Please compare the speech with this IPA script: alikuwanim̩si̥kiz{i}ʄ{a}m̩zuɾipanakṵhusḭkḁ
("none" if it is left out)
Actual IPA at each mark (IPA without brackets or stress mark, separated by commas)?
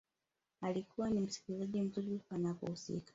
a, i